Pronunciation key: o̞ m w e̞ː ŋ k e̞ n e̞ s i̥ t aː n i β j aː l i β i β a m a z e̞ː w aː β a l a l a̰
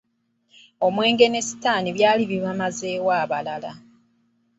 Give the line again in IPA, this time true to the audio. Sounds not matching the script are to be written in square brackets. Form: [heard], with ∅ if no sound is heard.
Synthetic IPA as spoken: o̞ m w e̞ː ŋ [ɡ] e̞ n e̞ s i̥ t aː n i β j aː l i β i β a m a z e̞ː w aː β a l a l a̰